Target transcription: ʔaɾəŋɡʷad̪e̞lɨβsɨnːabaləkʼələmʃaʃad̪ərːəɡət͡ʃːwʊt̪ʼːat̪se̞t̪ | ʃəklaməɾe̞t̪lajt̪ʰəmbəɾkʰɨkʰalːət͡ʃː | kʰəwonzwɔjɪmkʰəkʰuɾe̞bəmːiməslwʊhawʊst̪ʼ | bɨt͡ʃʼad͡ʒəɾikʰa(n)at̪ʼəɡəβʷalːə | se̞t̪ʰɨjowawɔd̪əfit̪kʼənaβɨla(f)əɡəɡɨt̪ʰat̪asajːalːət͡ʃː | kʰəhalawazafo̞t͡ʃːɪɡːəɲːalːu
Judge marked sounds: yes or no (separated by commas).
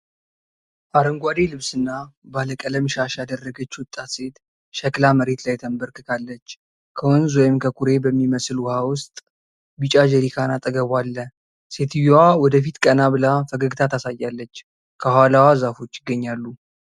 yes, yes